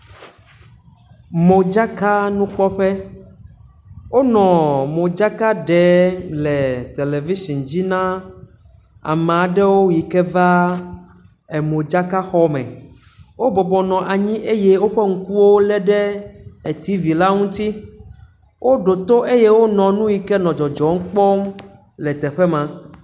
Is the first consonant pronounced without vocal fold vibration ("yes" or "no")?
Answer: no